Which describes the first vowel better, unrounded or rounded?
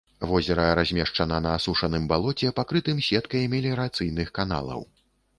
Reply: rounded